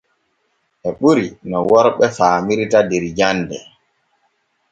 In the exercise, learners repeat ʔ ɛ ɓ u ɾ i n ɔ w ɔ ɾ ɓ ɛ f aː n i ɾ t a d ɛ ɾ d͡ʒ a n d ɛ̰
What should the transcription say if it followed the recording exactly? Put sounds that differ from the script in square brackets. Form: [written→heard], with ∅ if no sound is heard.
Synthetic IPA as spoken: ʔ ɛ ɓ u ɾ i n ɔ w ɔ ɾ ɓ ɛ f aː [n→m] i ɾ t a d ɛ ɾ d͡ʒ a n d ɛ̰

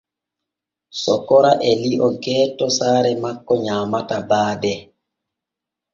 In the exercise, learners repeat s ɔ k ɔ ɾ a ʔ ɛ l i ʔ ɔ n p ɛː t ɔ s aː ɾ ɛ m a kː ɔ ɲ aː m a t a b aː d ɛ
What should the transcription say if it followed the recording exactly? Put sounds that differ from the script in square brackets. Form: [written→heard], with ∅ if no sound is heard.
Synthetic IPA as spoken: s ɔ k ɔ ɾ a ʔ ɛ l i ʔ ɔ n [p→k] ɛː t ɔ s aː ɾ ɛ m a kː ɔ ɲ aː m a t a b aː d ɛ

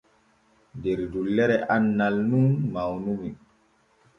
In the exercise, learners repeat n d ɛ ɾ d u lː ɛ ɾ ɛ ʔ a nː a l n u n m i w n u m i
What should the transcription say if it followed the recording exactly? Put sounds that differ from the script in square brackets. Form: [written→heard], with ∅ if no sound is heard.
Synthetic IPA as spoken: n d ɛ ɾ d u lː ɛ ɾ ɛ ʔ a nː a l n u n m [i→a] w n u m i

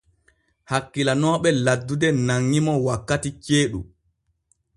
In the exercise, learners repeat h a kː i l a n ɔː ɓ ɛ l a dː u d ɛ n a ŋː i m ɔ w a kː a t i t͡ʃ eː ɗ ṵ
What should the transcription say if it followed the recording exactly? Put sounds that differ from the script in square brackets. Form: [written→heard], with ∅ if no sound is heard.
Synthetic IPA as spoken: h a kː i l a n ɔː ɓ ɛ l a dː u d ɛ n a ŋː i m ɔ w a kː a t i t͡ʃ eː ɗ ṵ

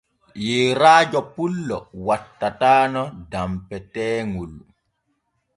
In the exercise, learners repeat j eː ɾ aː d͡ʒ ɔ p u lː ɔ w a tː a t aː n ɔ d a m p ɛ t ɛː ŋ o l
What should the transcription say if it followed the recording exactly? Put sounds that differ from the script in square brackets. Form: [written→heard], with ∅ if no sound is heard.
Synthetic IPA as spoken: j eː ɾ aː d͡ʒ ɔ p u lː ɔ w a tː a t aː n ɔ d a m p ɛ t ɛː ŋ [o→u] l

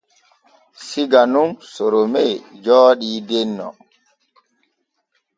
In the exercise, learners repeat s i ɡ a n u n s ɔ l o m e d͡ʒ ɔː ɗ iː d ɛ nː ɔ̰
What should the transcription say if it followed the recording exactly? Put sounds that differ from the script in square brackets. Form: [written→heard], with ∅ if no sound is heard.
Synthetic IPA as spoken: s i ɡ a n u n s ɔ [l→ɾ] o m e d͡ʒ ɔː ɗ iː d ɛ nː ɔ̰

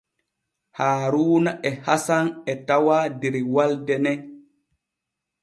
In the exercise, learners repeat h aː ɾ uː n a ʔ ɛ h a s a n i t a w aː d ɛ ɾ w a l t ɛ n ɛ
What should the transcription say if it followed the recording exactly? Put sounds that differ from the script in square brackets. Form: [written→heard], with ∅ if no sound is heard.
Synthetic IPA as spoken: h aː ɾ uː n a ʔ ɛ h a s a n [i→ɛ] t a w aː d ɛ ɾ w a l [t→d] ɛ n ɛ

